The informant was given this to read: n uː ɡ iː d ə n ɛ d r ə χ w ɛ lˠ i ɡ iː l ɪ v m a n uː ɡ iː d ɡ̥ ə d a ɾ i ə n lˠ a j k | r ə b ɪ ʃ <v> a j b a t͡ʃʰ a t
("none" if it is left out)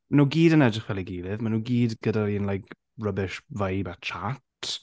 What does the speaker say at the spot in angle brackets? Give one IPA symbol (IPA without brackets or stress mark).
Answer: v